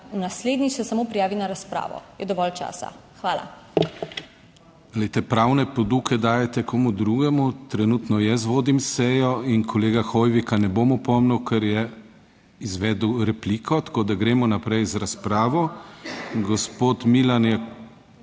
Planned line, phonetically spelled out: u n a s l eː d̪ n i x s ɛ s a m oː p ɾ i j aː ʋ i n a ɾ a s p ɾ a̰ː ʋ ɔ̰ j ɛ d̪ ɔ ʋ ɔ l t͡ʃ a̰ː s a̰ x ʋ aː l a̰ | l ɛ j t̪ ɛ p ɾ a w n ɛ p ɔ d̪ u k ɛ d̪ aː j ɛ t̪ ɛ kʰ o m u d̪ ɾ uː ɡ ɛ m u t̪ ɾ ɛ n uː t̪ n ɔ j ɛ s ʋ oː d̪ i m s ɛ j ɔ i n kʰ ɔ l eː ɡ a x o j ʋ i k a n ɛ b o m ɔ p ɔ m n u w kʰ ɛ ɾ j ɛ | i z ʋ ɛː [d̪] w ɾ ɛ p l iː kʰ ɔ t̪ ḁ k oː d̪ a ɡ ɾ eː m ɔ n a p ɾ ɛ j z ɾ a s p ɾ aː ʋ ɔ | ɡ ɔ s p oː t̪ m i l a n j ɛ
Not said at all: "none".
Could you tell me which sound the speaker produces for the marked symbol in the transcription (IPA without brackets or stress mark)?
d̪